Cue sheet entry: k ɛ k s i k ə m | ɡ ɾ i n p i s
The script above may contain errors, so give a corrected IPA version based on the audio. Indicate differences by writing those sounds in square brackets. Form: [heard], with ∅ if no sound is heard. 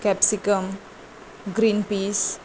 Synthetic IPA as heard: k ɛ [p] s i k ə m | ɡ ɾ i n p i s